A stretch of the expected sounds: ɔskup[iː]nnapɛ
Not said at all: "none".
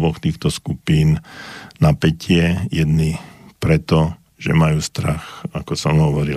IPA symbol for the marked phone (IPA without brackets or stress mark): iː